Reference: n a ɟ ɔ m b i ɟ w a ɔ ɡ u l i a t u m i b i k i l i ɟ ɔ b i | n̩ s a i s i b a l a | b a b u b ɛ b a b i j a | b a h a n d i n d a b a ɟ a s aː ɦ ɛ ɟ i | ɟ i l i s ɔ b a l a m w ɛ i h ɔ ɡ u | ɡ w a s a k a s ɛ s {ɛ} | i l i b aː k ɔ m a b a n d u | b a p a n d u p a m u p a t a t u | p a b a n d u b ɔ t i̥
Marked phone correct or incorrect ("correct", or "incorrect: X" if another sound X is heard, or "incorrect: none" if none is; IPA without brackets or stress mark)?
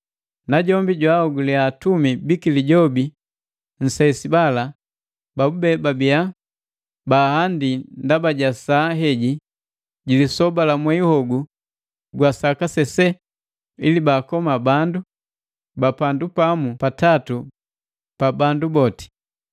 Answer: correct